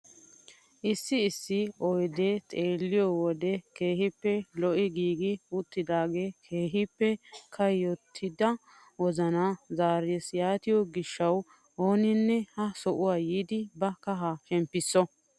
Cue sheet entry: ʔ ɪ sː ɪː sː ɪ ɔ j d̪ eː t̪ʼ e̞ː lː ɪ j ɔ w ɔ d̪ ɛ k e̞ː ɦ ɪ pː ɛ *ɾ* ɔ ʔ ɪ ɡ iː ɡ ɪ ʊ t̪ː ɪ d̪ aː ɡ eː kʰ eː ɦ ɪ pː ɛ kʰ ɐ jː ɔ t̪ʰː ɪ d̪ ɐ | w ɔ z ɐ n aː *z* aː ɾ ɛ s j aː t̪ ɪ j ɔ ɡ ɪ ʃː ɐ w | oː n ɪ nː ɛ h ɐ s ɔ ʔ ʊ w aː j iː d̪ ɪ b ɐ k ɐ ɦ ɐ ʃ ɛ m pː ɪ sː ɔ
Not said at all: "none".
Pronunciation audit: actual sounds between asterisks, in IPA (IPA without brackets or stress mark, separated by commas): l, z